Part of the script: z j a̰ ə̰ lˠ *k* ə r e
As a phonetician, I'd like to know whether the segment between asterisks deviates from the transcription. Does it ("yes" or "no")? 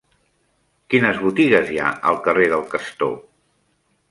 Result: no